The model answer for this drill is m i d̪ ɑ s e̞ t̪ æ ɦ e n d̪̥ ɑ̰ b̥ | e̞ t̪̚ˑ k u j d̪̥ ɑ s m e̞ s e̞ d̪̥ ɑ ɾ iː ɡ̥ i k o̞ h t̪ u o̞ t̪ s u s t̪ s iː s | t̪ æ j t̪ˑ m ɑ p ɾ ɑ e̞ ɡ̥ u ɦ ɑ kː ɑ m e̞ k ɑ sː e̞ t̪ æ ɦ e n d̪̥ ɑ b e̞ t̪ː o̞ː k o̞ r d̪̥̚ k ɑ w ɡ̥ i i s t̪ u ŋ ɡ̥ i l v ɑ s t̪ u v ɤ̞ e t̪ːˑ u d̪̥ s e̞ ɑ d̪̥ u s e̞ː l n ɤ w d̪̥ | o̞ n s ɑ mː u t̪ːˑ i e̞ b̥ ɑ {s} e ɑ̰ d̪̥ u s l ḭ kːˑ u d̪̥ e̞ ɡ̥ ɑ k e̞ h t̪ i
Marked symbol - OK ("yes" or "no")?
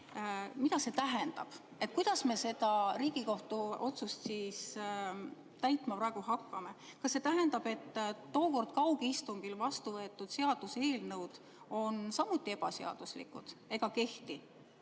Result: yes